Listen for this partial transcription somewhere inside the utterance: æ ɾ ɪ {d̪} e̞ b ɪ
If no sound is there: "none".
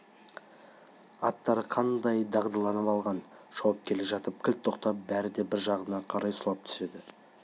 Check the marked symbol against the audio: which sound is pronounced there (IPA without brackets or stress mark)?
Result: d̪